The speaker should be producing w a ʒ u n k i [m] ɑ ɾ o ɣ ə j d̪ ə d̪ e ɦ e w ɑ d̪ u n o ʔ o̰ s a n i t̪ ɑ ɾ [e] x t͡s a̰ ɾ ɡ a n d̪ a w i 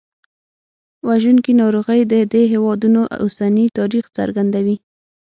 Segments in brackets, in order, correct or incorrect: incorrect, incorrect

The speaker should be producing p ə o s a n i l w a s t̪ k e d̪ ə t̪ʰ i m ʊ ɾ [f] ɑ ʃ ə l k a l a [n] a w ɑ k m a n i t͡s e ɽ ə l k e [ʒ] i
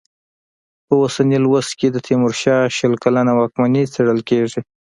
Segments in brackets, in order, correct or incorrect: incorrect, correct, incorrect

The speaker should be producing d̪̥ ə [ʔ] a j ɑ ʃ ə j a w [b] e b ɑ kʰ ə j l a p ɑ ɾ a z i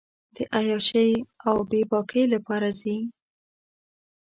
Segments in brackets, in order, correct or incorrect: correct, correct

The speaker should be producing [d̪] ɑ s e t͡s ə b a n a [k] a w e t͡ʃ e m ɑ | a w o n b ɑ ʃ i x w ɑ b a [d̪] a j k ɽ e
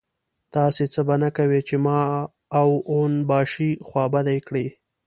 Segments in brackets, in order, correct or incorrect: incorrect, correct, correct

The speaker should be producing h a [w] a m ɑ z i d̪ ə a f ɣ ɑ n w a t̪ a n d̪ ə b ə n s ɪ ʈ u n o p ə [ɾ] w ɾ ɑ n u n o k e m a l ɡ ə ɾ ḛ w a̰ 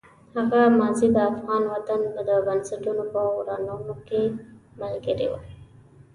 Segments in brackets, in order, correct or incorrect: incorrect, incorrect

